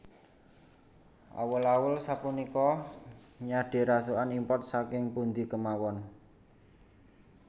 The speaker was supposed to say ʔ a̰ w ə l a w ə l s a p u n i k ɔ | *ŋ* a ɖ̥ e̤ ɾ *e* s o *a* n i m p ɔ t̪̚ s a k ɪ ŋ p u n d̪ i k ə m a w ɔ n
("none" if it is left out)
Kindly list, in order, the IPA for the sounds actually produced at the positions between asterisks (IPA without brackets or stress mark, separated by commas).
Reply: ɲ, a, a